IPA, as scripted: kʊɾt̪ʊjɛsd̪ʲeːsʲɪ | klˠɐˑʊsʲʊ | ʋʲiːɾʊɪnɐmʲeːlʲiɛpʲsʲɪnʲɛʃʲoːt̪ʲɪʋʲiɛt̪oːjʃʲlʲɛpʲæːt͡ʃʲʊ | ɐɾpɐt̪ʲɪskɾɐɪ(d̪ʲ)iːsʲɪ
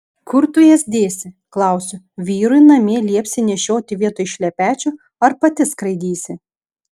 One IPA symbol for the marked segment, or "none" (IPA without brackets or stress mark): d̪ʲ